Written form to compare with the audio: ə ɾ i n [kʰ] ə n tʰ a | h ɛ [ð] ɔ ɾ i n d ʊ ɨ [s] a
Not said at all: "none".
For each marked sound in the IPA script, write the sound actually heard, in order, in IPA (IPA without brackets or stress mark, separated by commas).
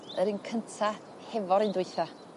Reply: kʰ, v, θ